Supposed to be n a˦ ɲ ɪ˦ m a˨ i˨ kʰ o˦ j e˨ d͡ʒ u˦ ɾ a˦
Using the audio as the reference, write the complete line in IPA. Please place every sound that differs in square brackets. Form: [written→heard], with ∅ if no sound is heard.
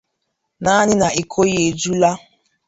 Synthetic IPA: n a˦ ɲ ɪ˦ [m→n] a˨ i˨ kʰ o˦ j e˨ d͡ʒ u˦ [ɾ→l] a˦